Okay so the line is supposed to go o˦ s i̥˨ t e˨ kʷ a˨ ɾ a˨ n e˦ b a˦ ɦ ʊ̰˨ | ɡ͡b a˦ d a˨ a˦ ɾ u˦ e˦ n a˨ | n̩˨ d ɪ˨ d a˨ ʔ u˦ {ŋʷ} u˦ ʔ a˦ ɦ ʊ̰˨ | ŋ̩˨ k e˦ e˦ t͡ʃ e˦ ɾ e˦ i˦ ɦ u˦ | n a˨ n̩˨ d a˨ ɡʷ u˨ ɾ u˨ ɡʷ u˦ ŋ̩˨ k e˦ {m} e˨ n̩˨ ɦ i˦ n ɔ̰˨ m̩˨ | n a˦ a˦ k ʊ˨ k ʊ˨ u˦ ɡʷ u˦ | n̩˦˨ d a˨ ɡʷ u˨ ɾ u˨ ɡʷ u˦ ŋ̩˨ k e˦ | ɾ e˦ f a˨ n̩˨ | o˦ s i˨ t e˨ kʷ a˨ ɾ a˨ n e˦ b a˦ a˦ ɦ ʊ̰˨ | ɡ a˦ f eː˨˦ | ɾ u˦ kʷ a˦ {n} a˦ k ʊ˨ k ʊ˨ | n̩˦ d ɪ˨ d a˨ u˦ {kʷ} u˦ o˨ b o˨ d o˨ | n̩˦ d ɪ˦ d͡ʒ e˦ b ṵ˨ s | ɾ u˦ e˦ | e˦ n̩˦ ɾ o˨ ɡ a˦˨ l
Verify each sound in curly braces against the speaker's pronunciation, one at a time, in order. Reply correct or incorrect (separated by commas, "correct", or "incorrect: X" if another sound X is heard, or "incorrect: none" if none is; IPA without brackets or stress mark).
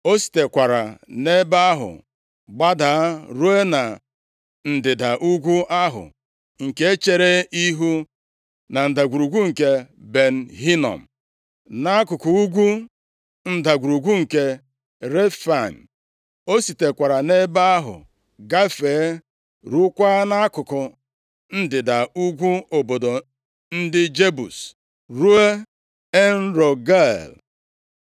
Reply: incorrect: ɡʷ, incorrect: b, correct, incorrect: ɡʷ